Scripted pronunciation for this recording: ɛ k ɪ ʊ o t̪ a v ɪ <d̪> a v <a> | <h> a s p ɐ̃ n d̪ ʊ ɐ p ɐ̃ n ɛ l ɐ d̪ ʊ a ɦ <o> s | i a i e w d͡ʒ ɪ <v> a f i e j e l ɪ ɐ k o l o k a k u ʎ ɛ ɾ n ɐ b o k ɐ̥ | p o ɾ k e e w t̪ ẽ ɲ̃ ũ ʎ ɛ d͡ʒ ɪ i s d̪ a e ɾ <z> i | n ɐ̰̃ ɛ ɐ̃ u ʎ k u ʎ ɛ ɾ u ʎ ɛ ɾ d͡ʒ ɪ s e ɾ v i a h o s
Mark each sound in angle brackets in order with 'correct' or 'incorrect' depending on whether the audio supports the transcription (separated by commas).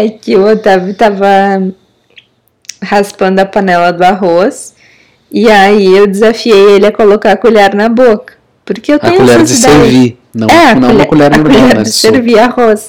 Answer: incorrect, incorrect, correct, correct, incorrect, incorrect